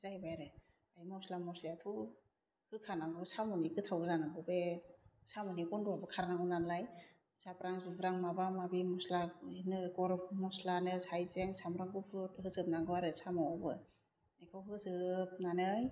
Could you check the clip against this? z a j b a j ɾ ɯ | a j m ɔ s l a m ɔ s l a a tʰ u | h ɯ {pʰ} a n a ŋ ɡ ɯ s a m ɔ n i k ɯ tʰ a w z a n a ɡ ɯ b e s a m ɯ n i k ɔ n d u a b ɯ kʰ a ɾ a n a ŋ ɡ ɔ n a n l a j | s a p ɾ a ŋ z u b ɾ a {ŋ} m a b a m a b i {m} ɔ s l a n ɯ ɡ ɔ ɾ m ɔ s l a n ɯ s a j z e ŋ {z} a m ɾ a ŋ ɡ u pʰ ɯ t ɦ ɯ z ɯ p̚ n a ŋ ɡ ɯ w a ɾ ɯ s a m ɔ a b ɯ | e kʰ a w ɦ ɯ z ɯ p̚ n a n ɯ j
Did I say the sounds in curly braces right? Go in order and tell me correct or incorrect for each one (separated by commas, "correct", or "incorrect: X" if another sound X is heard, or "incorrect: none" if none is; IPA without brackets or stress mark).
incorrect: kʰ, correct, correct, incorrect: s